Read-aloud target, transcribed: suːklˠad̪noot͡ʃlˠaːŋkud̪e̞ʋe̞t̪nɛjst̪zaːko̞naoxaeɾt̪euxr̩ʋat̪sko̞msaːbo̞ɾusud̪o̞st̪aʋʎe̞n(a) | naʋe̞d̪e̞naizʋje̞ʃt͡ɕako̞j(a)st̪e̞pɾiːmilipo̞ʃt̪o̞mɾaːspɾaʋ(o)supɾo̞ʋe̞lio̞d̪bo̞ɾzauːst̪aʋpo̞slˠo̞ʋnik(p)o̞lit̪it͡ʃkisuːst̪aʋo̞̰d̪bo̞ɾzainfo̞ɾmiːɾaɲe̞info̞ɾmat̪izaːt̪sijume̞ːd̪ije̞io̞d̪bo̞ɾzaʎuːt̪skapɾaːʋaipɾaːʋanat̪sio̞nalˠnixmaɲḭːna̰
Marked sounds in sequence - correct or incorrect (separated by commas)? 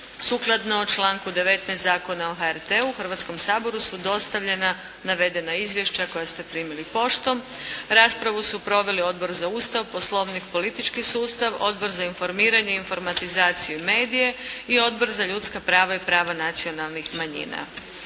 correct, correct, incorrect, correct